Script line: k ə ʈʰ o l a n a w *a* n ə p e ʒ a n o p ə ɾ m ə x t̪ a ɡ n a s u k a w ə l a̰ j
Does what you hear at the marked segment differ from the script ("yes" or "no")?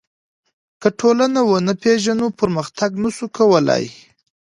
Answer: yes